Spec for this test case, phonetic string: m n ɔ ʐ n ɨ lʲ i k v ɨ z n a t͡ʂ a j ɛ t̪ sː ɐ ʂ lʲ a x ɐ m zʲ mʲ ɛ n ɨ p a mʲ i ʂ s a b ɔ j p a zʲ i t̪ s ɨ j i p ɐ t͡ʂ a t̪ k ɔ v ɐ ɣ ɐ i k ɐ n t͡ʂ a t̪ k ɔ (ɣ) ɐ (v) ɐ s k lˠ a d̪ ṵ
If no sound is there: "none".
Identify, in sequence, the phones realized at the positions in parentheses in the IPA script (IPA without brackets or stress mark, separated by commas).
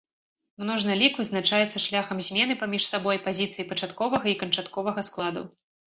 v, ɣ